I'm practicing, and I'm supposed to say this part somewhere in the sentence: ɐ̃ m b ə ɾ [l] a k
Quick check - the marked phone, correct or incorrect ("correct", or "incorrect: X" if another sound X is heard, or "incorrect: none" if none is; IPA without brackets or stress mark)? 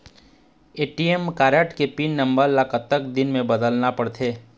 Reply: correct